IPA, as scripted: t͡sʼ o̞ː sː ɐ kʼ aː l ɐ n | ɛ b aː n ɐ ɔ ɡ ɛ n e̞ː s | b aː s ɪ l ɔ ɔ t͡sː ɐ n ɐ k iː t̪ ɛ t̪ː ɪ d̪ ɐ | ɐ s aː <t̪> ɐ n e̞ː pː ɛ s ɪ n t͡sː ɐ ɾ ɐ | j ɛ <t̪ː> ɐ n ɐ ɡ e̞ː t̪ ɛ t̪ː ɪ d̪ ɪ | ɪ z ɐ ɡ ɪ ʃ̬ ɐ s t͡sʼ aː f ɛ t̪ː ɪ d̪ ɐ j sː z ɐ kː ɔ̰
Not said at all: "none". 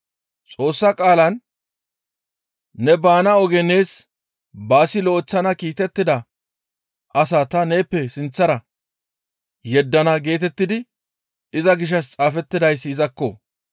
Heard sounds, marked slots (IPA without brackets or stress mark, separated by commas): t̪, d̪ː